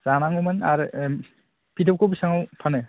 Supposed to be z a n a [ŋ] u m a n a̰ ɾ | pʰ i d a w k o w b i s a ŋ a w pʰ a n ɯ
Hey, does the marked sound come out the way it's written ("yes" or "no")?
yes